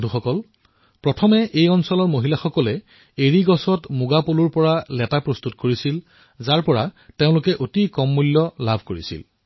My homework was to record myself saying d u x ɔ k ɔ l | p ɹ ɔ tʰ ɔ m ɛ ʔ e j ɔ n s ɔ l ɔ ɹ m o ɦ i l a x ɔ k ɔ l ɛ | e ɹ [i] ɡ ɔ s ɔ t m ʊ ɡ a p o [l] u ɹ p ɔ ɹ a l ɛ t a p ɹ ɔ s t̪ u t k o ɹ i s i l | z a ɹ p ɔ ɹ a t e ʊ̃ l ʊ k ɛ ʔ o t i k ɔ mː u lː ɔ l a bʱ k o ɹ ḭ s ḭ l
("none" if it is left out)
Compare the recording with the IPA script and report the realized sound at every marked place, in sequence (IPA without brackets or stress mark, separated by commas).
i, l